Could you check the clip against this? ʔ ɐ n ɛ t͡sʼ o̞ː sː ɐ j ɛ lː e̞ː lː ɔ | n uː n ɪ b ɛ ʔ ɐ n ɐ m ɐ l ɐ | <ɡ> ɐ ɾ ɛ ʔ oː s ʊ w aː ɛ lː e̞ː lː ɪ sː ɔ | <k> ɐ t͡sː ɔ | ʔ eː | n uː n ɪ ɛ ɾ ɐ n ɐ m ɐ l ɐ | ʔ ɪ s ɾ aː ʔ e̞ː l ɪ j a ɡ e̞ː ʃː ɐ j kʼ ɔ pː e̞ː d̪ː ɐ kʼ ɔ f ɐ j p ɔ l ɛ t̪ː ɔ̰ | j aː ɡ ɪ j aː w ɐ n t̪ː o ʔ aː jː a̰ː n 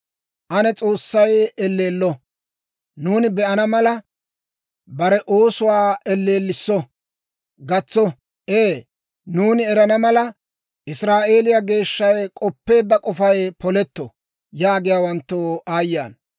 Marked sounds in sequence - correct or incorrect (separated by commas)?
incorrect, incorrect